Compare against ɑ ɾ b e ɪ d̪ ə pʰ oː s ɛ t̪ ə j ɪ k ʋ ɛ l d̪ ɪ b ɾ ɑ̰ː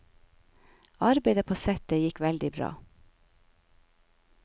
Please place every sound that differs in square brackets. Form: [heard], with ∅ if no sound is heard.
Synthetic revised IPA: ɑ ɾ b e ɪ d̪ ə pʰ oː s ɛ t̪ ə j ɪ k ʋ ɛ l d̪ ɪ b ɾ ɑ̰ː

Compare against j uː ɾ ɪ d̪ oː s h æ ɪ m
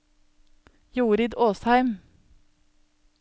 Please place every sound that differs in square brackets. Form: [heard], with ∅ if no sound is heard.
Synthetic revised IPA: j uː ɾ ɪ d̪ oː s h æ ɪ m

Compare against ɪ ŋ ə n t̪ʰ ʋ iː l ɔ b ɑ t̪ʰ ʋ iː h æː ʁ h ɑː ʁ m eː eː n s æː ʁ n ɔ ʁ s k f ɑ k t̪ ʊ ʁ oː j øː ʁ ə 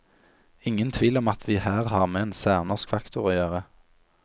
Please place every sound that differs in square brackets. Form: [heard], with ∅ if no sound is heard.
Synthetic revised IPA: ɪ ŋ ə n t̪ʰ ʋ iː l ɔ [m] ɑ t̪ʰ ʋ iː h æː ʁ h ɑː ʁ m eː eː n s æː ʁ n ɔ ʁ s k f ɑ k t̪ ʊ ʁ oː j øː ʁ ə

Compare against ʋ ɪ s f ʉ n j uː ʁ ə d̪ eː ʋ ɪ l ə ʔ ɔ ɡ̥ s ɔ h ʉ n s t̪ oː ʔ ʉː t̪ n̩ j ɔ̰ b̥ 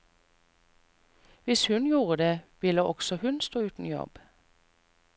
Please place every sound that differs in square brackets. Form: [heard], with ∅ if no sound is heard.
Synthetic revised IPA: ʋ ɪ s [h] ʉ n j uː ʁ ə d̪ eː ʋ ɪ l ə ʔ ɔ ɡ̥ s ɔ h ʉ n s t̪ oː [∅] ʉː t̪ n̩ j ɔ̰ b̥

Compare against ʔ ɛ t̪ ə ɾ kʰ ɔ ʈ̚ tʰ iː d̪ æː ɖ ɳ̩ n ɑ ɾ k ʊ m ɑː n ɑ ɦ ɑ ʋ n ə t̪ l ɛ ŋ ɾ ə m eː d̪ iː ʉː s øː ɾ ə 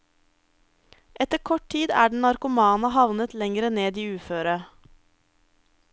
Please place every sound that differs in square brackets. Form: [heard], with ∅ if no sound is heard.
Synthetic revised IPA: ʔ ɛ t̪ ə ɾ kʰ ɔ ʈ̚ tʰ iː d̪ æː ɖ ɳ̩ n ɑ ɾ k ʊ m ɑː n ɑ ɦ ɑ ʋ n ə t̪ l ɛ ŋ ɾ ə [n] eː d̪ iː ʉː [f] øː ɾ ə

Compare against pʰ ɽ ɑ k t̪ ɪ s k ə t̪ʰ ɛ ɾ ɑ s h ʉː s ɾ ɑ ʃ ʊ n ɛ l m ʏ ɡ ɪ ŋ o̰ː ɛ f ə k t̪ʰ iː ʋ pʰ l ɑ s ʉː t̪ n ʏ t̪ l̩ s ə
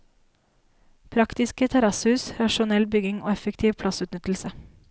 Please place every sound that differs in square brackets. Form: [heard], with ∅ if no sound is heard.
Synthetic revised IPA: pʰ [ɾ] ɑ k t̪ ɪ s k ə t̪ʰ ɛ ɾ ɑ s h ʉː s ɾ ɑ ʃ ʊ n ɛ l [b] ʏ ɡ ɪ ŋ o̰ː ɛ f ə k t̪ʰ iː ʋ pʰ l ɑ s ʉː t̪ n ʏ t̪ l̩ s ə

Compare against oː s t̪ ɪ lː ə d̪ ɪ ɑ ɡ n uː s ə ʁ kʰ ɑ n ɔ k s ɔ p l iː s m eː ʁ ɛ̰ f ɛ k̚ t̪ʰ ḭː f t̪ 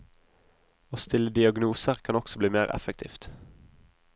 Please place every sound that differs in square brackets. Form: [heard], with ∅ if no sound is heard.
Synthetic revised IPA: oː s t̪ ɪ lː ə d̪ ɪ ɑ ɡ n uː s ə ʁ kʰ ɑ n ɔ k s ɔ [b] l iː [∅] m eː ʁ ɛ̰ f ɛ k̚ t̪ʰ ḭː f t̪

